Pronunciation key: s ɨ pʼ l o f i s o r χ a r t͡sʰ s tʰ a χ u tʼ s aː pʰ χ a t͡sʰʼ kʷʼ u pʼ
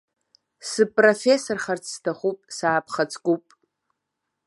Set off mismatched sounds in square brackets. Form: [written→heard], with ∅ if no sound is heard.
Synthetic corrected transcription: s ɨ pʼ [l→r] o f [i→e] s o r χ a r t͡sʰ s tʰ a χ u [tʼ→pʼ] s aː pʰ χ a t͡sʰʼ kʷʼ u pʼ